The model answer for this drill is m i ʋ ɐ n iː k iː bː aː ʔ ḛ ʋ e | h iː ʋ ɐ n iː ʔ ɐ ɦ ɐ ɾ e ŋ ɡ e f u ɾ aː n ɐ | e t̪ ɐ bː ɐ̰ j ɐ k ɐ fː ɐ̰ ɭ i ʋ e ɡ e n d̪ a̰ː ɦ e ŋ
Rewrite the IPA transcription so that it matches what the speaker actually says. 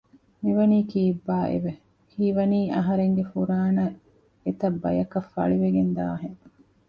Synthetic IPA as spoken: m i ʋ ɐ n iː k iː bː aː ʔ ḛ ʋ e | h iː ʋ ɐ n iː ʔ ɐ ɦ ɐ ɾ e ŋ ɡ e f u ɾ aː n ɐ | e t̪ ɐ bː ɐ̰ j ɐ k ɐ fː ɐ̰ ɭ i ʋ e ɡ e n d̪ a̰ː ɦ e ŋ